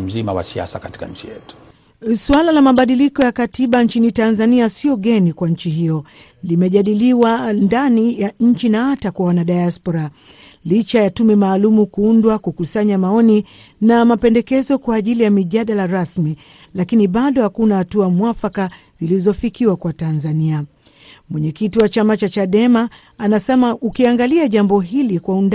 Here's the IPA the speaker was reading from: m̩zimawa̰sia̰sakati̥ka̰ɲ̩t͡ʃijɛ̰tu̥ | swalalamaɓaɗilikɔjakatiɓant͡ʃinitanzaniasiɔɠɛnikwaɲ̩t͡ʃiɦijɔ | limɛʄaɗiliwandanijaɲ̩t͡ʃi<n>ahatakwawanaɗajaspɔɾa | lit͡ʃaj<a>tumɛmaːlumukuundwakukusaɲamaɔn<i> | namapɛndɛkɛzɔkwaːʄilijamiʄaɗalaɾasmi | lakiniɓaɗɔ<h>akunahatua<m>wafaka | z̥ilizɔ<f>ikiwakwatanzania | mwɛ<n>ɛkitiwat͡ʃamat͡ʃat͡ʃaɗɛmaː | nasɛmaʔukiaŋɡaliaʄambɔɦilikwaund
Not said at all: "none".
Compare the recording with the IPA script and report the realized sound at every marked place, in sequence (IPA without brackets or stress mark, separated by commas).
n, a, i, h, m, f, ɲ